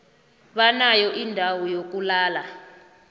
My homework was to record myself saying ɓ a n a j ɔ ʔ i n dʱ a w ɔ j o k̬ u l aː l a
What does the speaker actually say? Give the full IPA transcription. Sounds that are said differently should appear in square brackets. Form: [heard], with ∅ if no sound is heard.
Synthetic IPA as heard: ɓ a n a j ɔ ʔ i n dʱ a w ɔ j o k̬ u l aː l a